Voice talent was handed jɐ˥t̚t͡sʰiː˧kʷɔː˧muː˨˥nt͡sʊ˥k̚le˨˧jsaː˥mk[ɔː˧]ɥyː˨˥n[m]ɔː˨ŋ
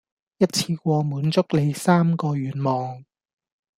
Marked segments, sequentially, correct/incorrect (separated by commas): correct, correct